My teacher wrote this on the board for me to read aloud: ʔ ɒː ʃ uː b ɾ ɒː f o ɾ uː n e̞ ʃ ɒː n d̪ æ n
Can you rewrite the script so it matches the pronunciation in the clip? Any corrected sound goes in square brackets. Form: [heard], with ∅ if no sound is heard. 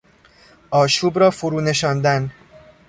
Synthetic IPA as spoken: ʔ ɒː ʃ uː b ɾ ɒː f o ɾ uː n e̞ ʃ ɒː n d̪ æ n